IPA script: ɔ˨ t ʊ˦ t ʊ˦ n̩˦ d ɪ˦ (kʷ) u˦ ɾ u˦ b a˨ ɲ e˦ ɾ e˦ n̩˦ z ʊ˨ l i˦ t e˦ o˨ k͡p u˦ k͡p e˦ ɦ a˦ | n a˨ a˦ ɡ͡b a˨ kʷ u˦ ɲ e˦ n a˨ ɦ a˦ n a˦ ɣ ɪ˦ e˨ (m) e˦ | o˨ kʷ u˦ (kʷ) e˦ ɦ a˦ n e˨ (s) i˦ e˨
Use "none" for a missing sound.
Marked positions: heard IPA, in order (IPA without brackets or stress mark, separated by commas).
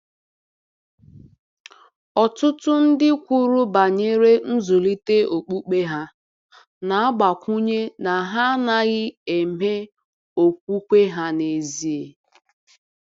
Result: kʷ, m, kʷ, z